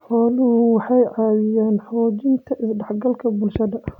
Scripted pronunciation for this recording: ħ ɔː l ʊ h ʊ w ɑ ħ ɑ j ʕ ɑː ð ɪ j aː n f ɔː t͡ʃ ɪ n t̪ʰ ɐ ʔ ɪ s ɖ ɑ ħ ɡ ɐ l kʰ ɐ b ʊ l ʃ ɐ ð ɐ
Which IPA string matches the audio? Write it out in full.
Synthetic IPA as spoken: ħ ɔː l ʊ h ʊ w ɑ ħ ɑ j ʕ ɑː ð ɪ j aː n ħ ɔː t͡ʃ ɪ n t̪ʰ ɐ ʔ ɪ s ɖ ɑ ħ ɡ ɐ l kʰ ɐ b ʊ l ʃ ɐ ð ɐ

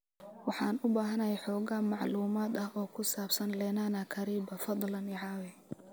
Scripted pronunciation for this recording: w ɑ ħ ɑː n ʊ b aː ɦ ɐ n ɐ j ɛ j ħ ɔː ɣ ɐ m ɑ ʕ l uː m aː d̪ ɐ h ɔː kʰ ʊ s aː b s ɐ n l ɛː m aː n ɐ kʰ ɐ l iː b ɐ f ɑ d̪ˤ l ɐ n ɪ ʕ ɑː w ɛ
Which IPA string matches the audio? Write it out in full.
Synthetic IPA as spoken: w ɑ ħ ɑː n ʊ b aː ɦ ɐ n ɐ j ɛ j ħ ɔː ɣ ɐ m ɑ ʕ l uː m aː d̪ ɐ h ɔː kʰ ʊ s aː b s ɐ n l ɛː n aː n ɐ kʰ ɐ ɾ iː b ɐ f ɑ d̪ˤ l ɐ n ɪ ʕ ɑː w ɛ

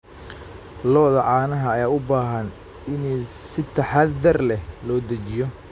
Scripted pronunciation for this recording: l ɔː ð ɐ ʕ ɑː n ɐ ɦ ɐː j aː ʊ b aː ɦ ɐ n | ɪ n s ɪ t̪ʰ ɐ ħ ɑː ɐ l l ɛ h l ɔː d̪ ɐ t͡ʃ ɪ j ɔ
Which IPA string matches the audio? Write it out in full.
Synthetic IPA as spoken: l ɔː ð ɐ ʕ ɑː n ɐ ɦ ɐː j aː ʊ b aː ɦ ɐ n | ɪ n s ɪ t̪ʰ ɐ ħ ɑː ɐ r l ɛ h l ɔː d̪ ɐ t͡ʃ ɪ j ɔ

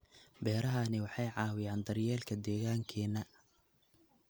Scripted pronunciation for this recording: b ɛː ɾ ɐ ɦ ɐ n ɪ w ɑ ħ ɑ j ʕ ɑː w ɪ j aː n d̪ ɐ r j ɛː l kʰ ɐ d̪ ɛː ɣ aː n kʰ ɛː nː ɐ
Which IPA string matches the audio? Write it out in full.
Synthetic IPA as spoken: b ɛː ɾ ɐ ɦ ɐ n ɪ w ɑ ħ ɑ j ʕ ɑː w ɪ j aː n d̪ ɐ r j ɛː l kʰ ɐ d̪ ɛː ɣ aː ŋ kʰ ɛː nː ɐ

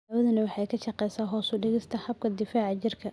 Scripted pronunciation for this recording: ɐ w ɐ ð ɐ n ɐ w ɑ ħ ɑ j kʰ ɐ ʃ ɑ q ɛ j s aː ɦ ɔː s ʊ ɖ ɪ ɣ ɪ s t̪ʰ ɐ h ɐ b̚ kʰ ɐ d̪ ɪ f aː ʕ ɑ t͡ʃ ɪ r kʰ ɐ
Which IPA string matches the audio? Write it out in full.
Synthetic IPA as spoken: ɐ w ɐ ð ɐ n ɐ w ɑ ħ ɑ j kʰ ɐ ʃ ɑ q ɛ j s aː ɦ ɔː s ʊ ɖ ɪ ɣ ɪ s t̪ʰ ɐ h ɐ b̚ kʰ ɐ d̪ ɪ f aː ʕ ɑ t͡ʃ ɪ r kʰ ɐ

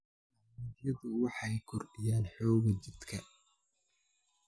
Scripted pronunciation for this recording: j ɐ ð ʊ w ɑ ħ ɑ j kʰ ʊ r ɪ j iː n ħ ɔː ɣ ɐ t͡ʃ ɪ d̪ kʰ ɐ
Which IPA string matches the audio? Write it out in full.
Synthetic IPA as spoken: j ɐ ð ʊ w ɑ ħ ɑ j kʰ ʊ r ɪ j aː n ħ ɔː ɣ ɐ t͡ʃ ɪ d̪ kʰ ɐ

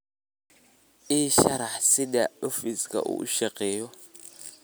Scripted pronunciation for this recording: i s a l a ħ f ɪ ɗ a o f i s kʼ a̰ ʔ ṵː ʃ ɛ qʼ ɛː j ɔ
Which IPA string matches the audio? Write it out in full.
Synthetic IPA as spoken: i ʃ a ɾ a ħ s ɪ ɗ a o f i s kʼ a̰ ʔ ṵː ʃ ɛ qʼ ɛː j ɔ

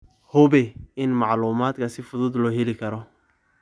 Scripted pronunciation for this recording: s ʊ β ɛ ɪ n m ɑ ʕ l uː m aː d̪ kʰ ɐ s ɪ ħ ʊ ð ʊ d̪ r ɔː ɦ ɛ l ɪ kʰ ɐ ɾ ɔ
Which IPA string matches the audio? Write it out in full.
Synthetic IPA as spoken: h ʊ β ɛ ɪ n m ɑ ʕ l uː m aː d̪ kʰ ɐ s ɪ f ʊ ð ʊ d̪ l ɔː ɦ ɛ l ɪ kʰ ɐ ɾ ɔ

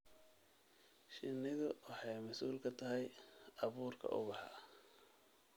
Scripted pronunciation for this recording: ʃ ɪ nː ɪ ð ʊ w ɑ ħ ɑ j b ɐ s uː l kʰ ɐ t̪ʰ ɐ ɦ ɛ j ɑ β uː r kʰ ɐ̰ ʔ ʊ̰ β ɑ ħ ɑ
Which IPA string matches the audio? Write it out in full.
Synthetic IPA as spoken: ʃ ɪ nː ɪ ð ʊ w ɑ ħ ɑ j m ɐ s uː l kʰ ɐ t̪ʰ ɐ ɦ ɛ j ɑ β uː r kʰ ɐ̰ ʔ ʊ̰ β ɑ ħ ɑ

